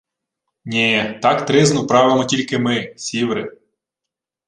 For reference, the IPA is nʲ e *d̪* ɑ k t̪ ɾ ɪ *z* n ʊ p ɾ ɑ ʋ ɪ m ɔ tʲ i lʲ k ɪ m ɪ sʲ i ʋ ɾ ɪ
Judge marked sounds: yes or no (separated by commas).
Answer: no, yes